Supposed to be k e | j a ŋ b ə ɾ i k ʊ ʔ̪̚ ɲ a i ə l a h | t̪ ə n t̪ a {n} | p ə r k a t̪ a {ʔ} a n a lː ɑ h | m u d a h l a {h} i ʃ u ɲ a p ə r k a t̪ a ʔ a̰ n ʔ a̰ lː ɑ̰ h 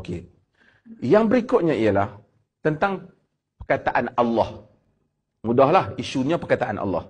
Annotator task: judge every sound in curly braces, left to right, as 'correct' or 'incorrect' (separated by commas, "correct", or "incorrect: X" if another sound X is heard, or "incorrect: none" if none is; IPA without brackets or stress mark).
incorrect: ŋ, correct, correct